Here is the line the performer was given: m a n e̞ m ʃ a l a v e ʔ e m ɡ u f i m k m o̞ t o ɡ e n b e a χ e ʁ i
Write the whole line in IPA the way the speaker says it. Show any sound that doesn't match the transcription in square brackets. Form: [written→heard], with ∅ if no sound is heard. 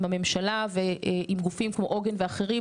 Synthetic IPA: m a [n→m] e̞ m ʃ a l a v e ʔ [e→i] m ɡ u f i m k m o̞ [t→ʔ] o ɡ e n [b→v] e a χ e ʁ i